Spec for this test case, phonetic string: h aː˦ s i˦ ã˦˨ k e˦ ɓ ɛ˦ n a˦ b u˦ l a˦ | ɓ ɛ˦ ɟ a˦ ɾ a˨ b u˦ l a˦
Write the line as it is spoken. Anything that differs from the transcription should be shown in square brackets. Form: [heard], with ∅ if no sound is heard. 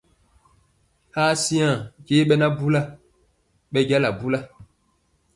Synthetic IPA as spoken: h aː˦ s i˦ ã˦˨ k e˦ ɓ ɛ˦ n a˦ b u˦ l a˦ | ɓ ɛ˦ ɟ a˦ [l] a˨ b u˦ l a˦

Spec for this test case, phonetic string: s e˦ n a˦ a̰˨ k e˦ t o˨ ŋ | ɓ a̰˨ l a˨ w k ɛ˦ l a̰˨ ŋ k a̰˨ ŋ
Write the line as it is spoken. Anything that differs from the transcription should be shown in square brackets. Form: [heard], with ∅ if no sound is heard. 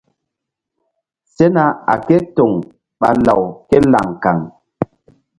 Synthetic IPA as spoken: s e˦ n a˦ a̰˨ k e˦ t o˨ ŋ | ɓ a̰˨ l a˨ w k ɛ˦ l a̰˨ ŋ k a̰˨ ŋ

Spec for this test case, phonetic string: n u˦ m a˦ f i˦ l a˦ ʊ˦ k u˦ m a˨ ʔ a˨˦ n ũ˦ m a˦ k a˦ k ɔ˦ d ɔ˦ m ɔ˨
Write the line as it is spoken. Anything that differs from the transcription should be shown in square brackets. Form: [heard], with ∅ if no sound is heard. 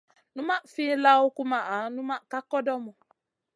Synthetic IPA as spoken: n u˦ m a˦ f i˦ l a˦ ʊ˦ k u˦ m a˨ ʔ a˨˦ n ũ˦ m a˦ k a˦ k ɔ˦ d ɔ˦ m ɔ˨

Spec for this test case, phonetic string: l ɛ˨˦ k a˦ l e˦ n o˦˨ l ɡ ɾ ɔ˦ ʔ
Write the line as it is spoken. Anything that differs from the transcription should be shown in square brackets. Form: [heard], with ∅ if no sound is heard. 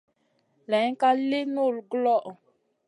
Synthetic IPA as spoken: l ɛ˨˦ k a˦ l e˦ n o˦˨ l ɡ [l] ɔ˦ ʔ

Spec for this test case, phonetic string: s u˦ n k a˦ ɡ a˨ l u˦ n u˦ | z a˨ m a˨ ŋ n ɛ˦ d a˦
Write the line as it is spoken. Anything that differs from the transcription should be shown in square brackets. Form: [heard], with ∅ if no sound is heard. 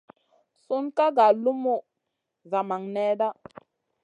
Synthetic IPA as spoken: s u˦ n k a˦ ɡ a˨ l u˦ [m] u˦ | z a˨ m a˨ ŋ n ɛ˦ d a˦

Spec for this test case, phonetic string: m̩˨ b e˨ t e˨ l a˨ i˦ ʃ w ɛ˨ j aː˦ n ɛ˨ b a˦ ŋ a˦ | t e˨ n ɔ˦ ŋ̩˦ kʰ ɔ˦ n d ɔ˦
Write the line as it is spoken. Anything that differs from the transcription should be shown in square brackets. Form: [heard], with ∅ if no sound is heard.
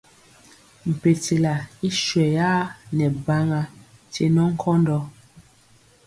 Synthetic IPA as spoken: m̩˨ [p] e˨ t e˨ l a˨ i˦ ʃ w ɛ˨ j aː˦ n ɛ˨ b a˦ ŋ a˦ | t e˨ n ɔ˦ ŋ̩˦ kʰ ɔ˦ n d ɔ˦

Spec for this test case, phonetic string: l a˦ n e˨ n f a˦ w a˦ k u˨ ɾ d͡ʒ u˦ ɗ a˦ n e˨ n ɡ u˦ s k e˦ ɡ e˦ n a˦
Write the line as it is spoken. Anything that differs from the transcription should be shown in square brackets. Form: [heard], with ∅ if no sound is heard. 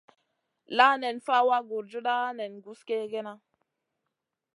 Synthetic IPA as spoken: l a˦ n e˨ n f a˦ w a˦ [ɡ] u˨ ɾ d͡ʒ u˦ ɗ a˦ n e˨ n ɡ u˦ s k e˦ ɡ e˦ n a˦

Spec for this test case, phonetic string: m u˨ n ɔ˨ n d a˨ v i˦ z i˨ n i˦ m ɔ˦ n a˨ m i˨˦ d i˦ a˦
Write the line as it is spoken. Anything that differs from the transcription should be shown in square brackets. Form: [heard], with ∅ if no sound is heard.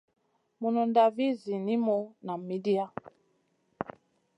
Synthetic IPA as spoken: m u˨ n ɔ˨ n d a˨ v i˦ z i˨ n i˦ m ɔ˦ n a˨ m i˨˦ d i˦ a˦

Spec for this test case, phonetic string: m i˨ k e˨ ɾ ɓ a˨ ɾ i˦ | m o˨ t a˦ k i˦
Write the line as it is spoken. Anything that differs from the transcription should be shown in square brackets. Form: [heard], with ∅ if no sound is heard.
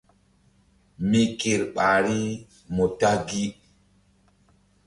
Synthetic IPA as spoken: m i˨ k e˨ ɾ ɓ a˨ ɾ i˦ | m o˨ t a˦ [ɡ] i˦

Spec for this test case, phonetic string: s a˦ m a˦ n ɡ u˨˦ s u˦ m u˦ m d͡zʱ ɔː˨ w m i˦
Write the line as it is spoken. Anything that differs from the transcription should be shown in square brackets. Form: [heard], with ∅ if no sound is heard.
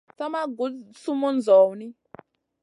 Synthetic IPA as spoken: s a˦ m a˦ [∅] ɡ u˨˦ s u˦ m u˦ [n] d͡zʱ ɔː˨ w [n] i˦

